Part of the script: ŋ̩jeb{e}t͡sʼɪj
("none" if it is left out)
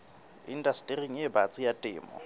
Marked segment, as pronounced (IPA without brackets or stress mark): a